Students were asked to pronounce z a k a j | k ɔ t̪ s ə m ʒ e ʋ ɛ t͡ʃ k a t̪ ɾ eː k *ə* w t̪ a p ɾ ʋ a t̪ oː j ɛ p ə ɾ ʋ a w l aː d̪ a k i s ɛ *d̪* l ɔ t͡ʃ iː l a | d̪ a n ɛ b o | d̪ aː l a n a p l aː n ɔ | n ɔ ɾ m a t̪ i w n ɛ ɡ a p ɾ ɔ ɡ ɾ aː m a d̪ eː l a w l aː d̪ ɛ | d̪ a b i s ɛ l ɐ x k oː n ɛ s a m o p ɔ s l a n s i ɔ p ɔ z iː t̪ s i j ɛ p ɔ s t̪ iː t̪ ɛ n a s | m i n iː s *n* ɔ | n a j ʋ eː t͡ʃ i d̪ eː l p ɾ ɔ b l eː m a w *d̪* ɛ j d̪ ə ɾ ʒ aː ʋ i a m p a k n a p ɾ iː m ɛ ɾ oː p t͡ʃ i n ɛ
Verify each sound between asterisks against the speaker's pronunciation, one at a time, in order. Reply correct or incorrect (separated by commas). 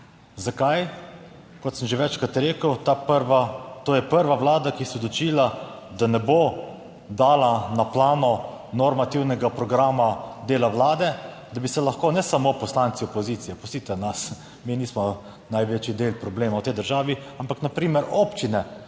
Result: correct, correct, incorrect, incorrect